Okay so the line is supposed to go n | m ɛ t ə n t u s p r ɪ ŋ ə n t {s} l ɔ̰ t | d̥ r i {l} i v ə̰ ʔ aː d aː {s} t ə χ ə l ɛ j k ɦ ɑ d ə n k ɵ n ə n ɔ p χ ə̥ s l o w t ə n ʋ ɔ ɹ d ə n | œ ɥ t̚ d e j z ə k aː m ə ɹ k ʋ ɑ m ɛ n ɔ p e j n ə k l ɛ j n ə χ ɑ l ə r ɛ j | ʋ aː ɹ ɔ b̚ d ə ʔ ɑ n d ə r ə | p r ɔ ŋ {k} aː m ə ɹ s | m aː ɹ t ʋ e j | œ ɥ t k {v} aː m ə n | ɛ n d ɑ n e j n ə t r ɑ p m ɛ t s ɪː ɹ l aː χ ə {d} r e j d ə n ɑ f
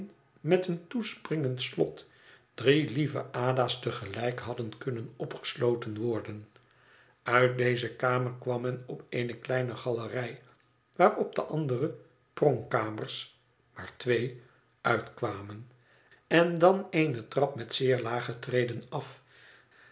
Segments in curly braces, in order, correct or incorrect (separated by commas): correct, correct, correct, correct, incorrect, incorrect